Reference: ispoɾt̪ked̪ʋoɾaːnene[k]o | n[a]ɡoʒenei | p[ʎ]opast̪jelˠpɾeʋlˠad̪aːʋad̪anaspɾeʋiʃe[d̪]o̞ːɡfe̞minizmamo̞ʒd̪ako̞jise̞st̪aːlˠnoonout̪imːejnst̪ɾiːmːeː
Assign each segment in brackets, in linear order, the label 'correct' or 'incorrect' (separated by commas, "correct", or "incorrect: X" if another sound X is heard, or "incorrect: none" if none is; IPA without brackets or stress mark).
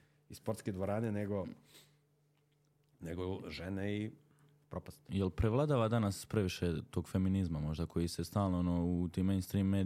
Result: incorrect: ɡ, incorrect: e, incorrect: ɾ, incorrect: t̪